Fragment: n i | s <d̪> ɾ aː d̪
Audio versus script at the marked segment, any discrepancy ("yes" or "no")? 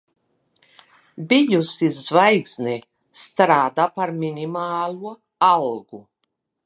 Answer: yes